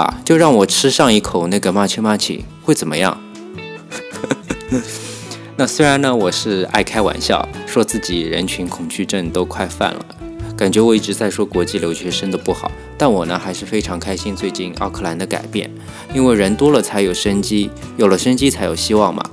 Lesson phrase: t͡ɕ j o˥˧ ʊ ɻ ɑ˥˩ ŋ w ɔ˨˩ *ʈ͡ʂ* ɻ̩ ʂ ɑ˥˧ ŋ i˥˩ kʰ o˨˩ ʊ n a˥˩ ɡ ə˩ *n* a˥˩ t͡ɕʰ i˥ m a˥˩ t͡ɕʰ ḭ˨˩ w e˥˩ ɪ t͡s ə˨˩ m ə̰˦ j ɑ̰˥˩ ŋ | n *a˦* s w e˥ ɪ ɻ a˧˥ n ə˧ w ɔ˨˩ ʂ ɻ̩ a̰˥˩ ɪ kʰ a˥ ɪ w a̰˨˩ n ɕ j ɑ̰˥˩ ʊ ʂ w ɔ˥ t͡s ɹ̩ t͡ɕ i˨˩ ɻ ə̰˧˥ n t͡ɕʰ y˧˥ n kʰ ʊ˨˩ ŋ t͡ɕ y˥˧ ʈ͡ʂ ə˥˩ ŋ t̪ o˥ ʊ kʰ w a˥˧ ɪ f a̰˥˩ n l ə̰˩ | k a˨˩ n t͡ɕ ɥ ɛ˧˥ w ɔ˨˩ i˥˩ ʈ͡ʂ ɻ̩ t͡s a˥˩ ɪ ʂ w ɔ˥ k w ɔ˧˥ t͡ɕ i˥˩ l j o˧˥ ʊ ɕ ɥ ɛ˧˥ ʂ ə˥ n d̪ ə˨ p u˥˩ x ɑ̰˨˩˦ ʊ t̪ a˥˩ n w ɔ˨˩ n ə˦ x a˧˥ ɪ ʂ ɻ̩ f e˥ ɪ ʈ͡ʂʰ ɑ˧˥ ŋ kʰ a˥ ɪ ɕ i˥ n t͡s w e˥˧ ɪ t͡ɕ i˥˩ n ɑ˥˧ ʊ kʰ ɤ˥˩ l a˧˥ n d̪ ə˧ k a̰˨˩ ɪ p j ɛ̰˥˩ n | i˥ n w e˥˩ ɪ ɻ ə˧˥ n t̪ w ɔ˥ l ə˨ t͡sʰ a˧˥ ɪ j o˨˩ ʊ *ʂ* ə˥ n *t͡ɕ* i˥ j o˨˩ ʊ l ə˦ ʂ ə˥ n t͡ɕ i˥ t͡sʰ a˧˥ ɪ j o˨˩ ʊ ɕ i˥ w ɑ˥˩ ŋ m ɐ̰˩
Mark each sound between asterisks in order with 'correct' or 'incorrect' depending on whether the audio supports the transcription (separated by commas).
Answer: incorrect, incorrect, incorrect, correct, correct